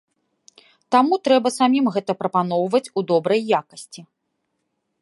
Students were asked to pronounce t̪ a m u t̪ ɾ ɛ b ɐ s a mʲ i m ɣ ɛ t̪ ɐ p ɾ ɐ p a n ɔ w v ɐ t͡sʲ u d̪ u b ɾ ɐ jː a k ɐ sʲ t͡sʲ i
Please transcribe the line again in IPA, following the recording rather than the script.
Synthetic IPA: t̪ a m u t̪ ɾ ɛ b ɐ s a mʲ i m ɣ ɛ t̪ ɐ p ɾ ɐ p a n ɔ w v ɐ t͡sʲ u d̪ ɔ b ɾ ɐ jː a k ɐ sʲ t͡sʲ i